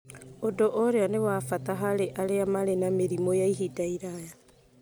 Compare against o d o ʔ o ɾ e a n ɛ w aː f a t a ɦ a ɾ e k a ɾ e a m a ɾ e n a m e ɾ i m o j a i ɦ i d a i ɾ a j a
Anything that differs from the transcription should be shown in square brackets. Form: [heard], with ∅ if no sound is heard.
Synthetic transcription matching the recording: o d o ʔ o ɾ e a n [e] w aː f a t a ɦ a ɾ e [ʔ] a ɾ e a m a ɾ e n a m e ɾ i m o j a i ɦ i d a i ɾ a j a